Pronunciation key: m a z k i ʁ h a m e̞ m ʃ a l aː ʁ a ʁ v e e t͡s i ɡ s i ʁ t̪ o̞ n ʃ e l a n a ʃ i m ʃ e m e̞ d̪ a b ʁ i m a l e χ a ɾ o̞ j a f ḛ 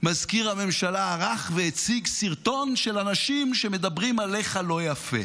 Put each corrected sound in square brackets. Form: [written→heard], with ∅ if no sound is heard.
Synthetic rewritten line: m a z k i ʁ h a m e̞ m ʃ a l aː ʁ a [ʁ→χ] v e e t͡s i ɡ s i ʁ t̪ o̞ n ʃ e l a n a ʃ i m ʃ e m e̞ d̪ a b ʁ i m a l e χ a [ɾ→l] o̞ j a f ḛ